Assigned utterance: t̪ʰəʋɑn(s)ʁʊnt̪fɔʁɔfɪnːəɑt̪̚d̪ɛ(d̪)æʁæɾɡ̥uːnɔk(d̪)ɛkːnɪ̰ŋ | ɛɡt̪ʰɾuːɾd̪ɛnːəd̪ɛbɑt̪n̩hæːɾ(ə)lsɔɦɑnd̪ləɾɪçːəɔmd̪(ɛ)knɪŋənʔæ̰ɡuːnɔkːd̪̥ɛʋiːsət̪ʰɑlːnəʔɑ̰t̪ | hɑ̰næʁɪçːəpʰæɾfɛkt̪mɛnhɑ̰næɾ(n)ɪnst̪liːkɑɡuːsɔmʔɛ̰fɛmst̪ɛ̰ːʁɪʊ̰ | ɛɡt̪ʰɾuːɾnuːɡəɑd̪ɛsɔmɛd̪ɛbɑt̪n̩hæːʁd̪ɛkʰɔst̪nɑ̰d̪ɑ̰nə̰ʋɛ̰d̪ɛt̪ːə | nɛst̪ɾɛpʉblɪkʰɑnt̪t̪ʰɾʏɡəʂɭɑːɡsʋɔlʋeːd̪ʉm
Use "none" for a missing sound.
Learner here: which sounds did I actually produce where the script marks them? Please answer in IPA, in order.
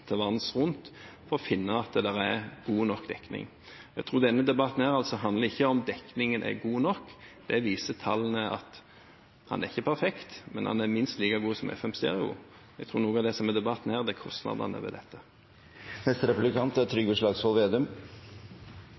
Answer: s, d̪, d̪, ɑ, ɛ, m

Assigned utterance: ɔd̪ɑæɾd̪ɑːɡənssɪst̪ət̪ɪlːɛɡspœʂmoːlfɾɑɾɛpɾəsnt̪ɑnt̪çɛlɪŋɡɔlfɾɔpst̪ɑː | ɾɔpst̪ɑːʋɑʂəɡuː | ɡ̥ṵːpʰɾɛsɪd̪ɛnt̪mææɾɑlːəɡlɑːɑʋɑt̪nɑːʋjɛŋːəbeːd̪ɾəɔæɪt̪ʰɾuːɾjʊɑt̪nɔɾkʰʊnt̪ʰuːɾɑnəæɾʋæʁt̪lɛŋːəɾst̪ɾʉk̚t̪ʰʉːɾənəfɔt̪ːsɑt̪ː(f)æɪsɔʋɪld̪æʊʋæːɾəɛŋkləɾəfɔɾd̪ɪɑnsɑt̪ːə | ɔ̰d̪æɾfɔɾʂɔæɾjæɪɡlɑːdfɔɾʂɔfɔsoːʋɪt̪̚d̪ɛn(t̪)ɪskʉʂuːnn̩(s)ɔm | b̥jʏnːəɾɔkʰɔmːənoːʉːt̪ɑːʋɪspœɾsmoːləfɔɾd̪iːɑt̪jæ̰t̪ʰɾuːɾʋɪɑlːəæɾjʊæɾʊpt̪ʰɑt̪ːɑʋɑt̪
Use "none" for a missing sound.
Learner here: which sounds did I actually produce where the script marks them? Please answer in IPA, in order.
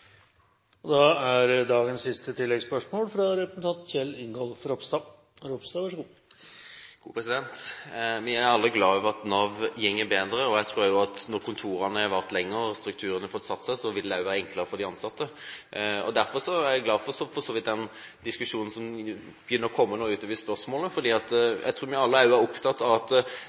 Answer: s, d̪, s

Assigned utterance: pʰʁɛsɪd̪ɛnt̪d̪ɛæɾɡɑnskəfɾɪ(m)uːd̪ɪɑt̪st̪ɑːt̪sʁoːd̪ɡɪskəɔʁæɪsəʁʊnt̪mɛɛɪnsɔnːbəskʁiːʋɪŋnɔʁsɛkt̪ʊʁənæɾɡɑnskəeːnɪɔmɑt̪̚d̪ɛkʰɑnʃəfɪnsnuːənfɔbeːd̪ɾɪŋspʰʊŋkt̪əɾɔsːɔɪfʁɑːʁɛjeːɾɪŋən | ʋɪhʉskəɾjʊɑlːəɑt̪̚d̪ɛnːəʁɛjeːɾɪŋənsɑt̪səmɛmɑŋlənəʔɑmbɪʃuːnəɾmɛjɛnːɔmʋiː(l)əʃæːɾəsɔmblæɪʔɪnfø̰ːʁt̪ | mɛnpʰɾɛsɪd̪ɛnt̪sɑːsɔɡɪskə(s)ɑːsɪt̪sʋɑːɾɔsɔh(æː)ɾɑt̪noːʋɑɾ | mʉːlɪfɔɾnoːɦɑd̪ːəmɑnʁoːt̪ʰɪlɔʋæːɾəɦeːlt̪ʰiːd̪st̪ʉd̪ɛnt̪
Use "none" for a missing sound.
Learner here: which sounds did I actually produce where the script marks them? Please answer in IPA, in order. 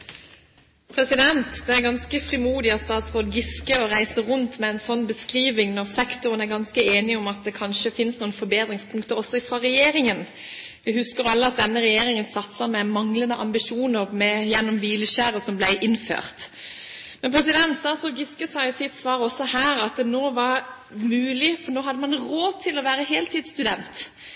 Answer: m, l, s, æː

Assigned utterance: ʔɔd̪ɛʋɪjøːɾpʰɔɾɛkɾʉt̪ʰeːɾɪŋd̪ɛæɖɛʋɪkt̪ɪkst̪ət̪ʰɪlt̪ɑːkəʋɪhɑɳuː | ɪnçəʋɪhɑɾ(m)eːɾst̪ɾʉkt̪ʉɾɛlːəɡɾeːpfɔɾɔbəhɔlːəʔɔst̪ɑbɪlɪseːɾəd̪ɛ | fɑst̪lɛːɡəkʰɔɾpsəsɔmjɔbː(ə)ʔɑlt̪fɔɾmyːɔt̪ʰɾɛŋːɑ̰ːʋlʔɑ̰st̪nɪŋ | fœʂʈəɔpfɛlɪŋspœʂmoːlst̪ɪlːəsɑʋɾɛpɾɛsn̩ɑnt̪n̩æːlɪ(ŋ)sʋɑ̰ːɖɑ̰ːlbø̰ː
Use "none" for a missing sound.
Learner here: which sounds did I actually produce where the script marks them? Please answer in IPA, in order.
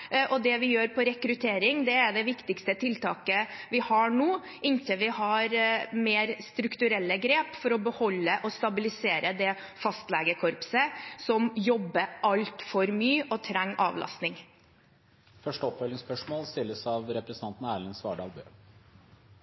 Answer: m, ə, n

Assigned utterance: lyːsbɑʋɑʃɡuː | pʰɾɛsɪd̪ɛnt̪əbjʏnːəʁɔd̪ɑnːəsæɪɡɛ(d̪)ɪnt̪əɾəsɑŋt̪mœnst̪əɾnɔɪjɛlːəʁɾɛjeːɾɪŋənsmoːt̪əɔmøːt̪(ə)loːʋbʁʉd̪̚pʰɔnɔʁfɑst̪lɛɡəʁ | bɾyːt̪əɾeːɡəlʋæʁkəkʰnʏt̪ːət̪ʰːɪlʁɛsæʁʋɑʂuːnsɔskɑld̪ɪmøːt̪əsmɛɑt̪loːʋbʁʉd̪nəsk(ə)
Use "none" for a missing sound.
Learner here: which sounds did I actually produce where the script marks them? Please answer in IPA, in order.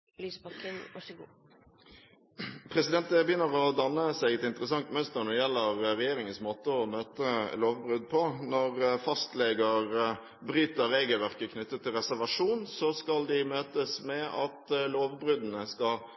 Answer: t̪, ə, ɑ

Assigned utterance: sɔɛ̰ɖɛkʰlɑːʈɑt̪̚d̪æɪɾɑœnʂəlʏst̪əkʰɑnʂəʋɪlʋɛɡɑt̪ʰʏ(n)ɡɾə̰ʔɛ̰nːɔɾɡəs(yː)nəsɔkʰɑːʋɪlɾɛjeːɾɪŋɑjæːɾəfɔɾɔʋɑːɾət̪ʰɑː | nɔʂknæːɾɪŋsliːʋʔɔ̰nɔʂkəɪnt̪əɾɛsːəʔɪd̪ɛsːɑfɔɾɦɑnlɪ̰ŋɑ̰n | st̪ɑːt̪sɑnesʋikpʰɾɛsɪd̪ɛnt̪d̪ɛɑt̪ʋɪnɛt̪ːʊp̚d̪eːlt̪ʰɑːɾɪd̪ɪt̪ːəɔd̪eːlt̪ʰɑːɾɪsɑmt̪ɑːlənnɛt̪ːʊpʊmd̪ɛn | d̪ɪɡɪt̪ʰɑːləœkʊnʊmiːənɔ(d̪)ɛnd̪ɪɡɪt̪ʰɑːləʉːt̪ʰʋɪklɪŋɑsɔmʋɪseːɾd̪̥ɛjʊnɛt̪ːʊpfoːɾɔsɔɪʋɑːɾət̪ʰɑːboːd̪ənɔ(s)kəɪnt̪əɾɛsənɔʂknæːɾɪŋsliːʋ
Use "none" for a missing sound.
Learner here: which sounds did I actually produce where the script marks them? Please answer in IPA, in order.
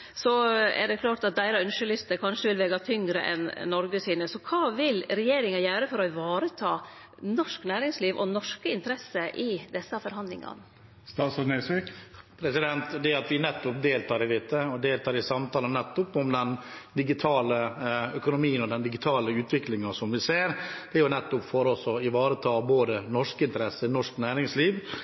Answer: ŋ, iː, d̪, ʂ

